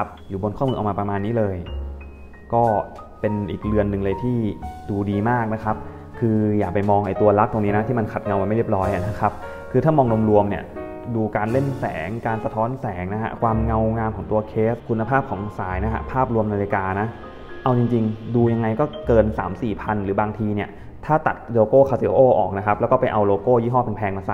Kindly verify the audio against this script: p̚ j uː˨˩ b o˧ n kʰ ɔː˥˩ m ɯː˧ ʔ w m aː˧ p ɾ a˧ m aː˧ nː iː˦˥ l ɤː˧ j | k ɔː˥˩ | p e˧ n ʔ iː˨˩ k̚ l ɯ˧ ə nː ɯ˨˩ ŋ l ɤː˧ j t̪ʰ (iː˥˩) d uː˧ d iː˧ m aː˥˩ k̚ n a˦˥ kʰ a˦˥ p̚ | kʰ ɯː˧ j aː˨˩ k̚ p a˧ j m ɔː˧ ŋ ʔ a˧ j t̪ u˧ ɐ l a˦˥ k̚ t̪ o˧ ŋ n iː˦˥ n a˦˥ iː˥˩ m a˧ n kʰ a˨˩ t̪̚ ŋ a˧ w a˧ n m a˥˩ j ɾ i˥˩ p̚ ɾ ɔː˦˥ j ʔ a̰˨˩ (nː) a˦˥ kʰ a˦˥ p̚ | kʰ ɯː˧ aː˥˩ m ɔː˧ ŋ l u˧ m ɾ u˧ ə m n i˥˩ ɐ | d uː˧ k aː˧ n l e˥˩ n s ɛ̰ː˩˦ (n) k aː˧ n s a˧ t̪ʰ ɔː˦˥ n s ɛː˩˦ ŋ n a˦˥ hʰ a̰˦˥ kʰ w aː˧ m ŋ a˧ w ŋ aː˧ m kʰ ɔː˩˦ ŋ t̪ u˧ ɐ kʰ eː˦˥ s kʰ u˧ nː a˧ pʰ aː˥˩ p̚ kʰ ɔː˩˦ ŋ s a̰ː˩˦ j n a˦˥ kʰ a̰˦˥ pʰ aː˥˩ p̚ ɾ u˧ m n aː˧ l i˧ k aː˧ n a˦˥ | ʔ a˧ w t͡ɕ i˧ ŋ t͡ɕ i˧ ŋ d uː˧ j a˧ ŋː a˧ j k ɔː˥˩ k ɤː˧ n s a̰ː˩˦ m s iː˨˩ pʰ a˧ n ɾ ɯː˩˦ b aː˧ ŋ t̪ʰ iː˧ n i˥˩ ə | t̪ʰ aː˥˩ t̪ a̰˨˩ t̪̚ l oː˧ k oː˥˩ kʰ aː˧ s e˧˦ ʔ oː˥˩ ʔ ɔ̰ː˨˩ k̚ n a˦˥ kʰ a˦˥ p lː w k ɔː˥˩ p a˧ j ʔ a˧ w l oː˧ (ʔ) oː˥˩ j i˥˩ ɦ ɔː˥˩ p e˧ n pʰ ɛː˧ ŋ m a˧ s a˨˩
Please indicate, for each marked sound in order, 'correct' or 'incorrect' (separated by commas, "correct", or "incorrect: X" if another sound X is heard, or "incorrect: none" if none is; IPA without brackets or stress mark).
correct, incorrect: n, incorrect: ŋ, incorrect: k